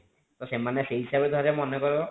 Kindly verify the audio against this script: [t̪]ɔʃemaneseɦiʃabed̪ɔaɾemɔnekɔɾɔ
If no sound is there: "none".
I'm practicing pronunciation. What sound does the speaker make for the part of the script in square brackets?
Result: t̪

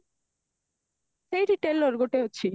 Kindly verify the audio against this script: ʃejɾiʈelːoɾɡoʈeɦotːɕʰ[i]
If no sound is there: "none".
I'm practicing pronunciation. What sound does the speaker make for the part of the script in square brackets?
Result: i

